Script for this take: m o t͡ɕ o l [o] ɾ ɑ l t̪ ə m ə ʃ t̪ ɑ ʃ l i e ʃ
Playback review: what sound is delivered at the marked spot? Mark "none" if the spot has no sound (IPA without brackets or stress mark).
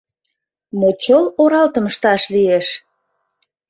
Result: o